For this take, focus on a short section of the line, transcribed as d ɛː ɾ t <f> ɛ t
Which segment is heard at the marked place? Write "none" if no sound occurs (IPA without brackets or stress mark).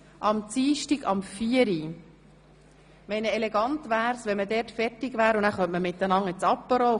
f